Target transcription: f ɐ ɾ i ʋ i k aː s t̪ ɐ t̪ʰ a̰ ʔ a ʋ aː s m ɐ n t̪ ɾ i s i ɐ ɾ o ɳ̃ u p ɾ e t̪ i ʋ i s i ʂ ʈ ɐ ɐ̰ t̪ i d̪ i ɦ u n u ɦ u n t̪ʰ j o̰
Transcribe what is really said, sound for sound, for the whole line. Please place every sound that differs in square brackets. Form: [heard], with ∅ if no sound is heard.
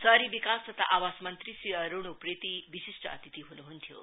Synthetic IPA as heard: [s] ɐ ɾ i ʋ i k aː s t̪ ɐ t̪ʰ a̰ ʔ a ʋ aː s m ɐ n t̪ ɾ i s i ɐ ɾ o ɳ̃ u p ɾ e t̪ i ʋ i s i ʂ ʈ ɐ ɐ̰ t̪ i [t̪] i ɦ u n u ɦ u n t̪ʰ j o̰